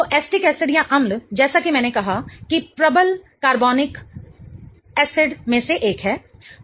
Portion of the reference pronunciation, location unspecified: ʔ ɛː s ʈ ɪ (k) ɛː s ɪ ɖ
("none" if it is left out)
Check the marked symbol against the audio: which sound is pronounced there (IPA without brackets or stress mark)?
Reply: k